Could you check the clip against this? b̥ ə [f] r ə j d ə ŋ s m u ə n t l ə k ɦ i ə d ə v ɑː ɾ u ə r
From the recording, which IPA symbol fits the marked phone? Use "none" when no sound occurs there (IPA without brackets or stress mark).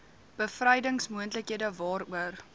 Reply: f